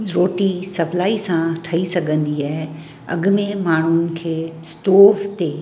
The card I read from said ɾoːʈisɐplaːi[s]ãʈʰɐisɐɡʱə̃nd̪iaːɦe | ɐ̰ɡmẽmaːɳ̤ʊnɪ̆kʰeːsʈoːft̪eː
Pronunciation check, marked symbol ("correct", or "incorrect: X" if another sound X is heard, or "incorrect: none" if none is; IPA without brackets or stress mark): correct